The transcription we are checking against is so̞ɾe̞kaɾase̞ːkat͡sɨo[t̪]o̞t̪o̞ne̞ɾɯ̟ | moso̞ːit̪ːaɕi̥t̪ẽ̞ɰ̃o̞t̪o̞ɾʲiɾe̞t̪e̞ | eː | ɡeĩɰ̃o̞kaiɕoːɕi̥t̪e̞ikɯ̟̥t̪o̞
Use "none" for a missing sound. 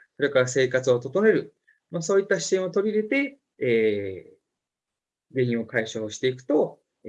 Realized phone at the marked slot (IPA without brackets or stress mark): t̪